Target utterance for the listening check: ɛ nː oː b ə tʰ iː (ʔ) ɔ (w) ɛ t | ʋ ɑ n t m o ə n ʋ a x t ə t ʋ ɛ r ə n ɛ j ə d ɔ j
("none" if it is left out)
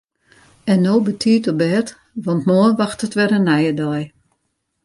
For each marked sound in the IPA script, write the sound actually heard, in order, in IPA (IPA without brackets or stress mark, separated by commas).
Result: t, b